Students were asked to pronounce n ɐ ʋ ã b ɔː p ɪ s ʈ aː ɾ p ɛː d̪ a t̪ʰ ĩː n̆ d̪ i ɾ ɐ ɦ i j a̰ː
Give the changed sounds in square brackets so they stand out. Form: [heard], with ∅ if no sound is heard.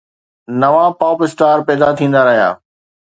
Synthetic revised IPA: n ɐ ʋ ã [p] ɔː p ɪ s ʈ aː ɾ p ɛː d̪ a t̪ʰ ĩː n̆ d̪ [a] ɾ ɐ ɦ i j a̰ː